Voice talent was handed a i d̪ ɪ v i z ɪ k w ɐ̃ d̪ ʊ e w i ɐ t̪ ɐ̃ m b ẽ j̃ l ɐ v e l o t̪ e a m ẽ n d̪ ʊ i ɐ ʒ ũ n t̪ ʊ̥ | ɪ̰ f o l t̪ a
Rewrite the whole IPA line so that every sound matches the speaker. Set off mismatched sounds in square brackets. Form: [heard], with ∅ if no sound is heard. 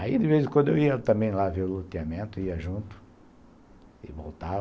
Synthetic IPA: a i d̪ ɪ v [e] z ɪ k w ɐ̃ d̪ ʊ e w i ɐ t̪ ɐ̃ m b ẽ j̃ l [a] v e l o t̪ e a m ẽ n [t̪] ʊ i ɐ ʒ ũ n t̪ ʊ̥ | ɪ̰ [v] o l t̪ a